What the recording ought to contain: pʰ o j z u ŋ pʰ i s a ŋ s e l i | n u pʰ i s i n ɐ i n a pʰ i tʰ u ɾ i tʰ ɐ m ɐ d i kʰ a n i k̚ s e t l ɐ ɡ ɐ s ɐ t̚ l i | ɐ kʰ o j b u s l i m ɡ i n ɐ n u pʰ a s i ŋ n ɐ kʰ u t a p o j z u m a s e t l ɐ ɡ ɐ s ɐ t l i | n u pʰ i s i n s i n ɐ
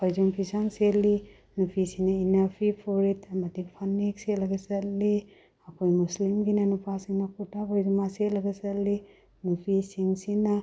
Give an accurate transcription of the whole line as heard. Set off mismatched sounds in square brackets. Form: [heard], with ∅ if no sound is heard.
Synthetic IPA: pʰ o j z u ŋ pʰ i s a ŋ s e l i | n u pʰ i s i n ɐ i n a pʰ i [pʰ] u ɾ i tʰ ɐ m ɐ d i [pʰ] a n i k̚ s e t l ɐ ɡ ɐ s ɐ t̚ l i | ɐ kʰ o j [m] u s l i m ɡ i n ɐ n u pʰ a s i ŋ n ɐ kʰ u t a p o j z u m a s e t l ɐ ɡ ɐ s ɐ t l i | n u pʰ i s i [ŋ] s i n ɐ